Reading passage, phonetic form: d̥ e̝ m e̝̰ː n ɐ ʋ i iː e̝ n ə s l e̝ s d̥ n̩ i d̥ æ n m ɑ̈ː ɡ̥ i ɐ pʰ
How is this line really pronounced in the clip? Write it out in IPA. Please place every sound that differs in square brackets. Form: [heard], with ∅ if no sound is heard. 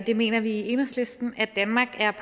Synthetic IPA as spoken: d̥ e̝ m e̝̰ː n ɐ ʋ i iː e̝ n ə s l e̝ s d̥ n̩ [æ] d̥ æ n m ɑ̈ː ɡ̥ [æ] ɐ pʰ